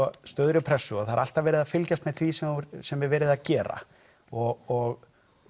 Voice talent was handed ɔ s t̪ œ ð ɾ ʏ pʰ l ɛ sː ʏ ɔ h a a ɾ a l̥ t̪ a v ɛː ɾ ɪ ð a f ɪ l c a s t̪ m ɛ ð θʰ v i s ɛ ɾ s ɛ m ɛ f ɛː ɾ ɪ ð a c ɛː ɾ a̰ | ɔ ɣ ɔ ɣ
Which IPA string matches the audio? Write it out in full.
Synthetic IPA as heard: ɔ s t̪ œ ð ɾ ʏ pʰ ɾ ɛ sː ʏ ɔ θ a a ɾ a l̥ t̪ a v ɛː ɾ ɪ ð a f ɪ l c a s t̪ m ɛ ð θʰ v i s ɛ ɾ s ɛ m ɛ v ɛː ɾ ɪ ð a c ɛː ɾ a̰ | ɔ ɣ ɔ ɣ